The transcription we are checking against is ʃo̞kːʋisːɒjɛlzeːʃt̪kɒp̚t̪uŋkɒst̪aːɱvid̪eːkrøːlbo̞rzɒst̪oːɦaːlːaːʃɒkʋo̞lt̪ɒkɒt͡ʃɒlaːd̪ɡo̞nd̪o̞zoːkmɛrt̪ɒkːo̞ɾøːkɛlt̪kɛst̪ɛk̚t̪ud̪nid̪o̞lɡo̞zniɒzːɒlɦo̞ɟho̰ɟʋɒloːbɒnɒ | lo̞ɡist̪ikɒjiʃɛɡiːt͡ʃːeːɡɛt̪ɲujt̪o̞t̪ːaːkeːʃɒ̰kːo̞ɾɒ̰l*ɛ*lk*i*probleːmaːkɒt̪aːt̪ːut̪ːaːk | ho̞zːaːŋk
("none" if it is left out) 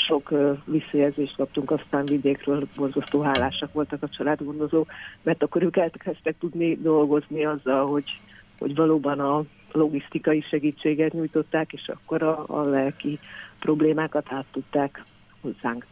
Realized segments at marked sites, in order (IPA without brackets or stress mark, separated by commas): ɛ, i